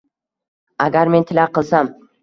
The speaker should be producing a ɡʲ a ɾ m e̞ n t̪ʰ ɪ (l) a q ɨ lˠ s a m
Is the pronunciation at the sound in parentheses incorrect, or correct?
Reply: correct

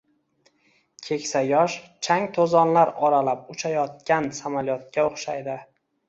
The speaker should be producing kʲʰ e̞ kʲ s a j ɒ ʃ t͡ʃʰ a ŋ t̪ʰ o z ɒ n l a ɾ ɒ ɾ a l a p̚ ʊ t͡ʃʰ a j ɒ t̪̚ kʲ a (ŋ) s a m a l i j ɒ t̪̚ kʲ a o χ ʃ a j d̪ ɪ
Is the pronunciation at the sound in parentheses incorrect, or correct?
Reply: incorrect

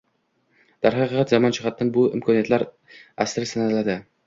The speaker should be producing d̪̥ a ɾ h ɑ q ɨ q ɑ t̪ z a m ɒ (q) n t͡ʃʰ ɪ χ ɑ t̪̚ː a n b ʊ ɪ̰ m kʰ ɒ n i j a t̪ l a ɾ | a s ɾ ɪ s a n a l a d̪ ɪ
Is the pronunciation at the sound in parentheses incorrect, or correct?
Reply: incorrect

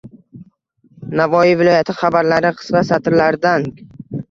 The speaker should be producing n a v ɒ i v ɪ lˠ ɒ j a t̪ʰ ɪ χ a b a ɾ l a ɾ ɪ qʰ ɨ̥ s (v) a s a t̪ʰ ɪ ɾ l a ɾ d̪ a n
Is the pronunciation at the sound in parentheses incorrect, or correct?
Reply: correct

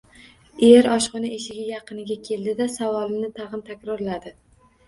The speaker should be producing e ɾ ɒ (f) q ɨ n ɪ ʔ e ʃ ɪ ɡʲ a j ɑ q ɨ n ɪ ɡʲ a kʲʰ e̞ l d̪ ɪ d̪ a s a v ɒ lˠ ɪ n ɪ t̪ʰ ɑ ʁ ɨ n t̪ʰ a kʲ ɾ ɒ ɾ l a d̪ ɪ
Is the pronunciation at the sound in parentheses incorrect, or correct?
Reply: incorrect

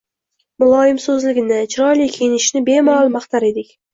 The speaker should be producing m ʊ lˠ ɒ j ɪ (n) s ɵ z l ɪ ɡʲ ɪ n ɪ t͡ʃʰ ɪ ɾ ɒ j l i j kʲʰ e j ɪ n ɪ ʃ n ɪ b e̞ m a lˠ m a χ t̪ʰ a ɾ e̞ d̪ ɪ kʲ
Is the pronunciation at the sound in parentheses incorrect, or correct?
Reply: incorrect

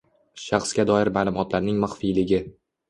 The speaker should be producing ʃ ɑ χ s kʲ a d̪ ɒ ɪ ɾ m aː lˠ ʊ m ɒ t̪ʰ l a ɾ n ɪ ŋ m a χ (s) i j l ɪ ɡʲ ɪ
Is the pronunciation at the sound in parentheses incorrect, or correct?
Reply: incorrect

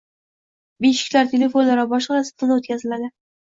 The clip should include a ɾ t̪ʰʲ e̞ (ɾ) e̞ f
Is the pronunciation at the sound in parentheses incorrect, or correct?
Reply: incorrect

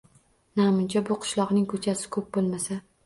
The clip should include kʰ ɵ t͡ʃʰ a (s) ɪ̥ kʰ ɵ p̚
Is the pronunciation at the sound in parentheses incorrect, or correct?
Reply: correct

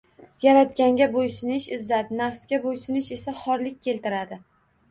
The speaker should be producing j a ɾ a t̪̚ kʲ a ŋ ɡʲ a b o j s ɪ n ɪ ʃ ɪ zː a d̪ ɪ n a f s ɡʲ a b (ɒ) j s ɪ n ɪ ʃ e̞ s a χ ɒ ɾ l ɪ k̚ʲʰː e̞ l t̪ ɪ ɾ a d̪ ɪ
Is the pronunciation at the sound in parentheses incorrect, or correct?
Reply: incorrect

